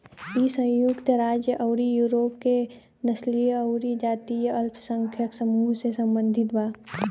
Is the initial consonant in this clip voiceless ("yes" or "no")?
yes